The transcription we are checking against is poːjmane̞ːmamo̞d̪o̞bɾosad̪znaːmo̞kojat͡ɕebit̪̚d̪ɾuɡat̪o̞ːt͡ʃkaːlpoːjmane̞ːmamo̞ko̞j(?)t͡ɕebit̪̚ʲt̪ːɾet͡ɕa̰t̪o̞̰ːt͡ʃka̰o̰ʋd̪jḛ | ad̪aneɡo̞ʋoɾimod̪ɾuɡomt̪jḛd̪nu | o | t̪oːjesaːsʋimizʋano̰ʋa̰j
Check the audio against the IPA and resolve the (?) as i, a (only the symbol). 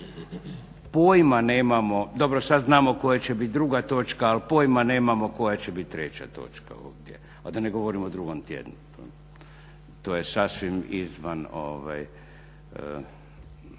a